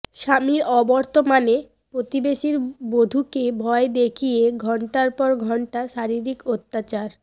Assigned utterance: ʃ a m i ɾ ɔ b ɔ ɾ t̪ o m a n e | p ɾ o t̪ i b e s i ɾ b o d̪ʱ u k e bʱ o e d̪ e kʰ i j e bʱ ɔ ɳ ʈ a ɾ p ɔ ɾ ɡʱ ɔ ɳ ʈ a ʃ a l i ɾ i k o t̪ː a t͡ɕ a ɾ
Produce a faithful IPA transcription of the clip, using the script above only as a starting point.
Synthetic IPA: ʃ a m i ɾ ɔ b ɔ ɾ t̪ o m a n e | p ɾ o t̪ i b e ʃ i ɾ b o d̪ʱ u k e bʱ ɔ e d̪ e kʰ i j e ɡʱ ɔ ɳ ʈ a ɾ p ɔ ɾ ɡʱ ɔ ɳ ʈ a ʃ a ɾ i ɾ i k o t̪ː a t͡ɕ a ɾ